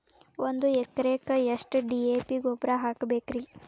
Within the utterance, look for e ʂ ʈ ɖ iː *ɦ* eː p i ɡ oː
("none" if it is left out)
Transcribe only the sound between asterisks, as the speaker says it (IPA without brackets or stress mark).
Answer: none